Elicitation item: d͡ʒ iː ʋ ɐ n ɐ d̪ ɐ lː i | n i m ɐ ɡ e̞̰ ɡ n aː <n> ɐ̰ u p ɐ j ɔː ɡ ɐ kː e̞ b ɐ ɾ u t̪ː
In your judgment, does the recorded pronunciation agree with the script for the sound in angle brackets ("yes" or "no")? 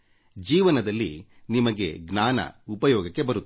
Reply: yes